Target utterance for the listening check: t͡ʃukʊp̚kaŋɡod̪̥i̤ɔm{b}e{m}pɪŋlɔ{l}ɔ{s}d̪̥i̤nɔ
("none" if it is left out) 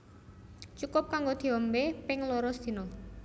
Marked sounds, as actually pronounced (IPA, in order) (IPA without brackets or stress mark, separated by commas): b, none, ɾ, s